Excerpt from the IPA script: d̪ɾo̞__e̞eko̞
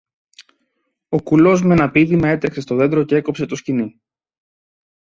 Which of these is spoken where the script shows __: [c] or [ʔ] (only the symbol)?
c